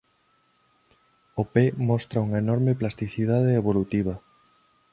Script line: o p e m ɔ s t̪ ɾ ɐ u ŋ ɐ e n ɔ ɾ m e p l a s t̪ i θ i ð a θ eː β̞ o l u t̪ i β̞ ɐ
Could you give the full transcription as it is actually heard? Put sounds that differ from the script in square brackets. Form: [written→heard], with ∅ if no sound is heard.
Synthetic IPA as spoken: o p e m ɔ s t̪ ɾ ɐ u ŋ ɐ e n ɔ ɾ m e p l a s t̪ i θ i ð a [θ→ð] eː β̞ o l u t̪ i β̞ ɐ

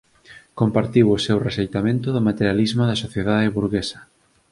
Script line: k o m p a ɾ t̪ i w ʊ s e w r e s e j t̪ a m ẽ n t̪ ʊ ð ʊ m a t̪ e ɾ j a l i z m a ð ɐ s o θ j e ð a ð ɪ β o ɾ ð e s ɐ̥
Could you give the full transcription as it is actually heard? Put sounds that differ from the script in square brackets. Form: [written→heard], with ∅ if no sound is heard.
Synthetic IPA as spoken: k o m p a ɾ t̪ i w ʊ s e w r e s e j t̪ a m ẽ n t̪ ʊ ð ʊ m a t̪ e ɾ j a l i z m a ð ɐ s o θ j e ð a ð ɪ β [o→u] ɾ [ð→ɣ] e s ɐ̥

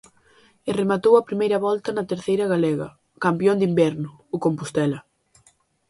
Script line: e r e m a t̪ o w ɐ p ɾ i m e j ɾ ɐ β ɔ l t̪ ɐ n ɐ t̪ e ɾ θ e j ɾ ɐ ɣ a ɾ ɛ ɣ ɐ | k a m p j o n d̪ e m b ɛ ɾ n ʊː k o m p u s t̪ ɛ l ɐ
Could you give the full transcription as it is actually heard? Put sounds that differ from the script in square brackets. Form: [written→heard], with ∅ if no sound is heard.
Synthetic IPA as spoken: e r e m a t̪ o w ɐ p ɾ i m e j ɾ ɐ β ɔ l t̪ ɐ n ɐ t̪ e ɾ θ e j ɾ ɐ ɣ a [ɾ→l] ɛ ɣ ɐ | k a m p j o n d̪ [e→i] m b ɛ ɾ n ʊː k o m p u s t̪ ɛ l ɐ

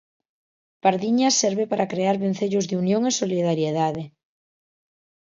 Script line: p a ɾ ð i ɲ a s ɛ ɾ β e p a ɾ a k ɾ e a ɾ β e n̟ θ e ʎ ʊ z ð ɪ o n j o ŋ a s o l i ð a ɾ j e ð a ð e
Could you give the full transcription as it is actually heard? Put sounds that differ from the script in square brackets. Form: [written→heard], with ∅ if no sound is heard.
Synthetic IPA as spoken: p a ɾ ð i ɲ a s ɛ ɾ β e p a ɾ a k ɾ e a ɾ β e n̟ θ e ʎ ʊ z ð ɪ [o→u] n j o ŋ [a→e] s o l i ð a ɾ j e ð a ð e

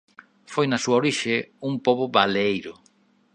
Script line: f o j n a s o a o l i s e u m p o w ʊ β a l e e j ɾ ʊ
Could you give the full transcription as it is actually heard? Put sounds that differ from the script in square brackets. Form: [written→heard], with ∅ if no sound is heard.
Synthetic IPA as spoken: f o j n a s [o→u] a o [l→ɾ] i [s→ʃ] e u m p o [w→β] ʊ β a l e e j ɾ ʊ

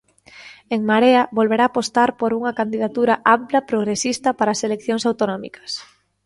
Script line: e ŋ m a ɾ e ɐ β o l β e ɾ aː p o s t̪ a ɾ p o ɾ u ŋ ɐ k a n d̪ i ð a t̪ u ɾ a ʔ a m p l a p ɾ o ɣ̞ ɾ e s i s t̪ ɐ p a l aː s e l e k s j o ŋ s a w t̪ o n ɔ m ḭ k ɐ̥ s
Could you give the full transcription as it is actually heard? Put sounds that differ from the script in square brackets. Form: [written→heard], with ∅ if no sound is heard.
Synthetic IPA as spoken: e ŋ m a ɾ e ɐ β o l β e ɾ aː p o s t̪ a ɾ p o ɾ u ŋ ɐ k a n d̪ i ð a t̪ u ɾ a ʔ a m p l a p ɾ o ɣ̞ ɾ e s i s t̪ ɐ p a [l→ɾ] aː s e l e k [s→θ] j o ŋ s a w t̪ o n ɔ m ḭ k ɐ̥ s

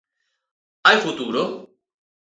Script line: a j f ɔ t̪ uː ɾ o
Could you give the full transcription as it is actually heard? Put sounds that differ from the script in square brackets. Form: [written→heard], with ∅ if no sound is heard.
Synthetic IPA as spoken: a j f [ɔ→u] t̪ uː ɾ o

